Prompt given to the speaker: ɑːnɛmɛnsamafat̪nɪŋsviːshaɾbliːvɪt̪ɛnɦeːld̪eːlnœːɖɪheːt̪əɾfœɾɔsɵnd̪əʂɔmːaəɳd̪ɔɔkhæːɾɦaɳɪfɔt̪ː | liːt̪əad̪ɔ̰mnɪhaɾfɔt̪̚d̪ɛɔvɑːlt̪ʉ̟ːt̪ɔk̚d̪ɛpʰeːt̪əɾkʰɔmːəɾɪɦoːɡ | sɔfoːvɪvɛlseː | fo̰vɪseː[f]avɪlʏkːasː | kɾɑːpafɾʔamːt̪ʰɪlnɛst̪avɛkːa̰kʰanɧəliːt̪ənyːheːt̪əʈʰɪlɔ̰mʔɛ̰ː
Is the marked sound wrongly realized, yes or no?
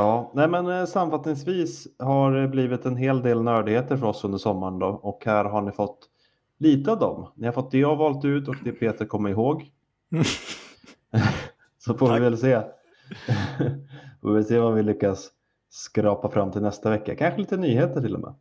yes